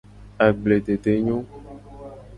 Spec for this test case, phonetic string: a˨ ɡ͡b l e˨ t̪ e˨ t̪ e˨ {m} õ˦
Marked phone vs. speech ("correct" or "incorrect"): incorrect